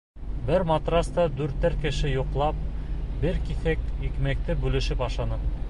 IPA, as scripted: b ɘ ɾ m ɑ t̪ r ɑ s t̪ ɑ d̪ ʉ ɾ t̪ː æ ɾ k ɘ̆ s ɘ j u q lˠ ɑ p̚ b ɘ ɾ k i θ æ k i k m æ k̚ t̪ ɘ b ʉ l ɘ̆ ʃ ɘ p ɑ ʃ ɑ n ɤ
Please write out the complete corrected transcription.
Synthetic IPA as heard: b ɘ ɾ m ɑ t̪ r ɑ s t̪ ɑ d̪ ʉ ɾ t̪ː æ ɾ k ɘ̆ ʃ ɘ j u q lˠ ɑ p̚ b ɘ ɾ k i θ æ k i k m æ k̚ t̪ ɘ b ʉ l ɘ̆ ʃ ɘ p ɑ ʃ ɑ n ɤ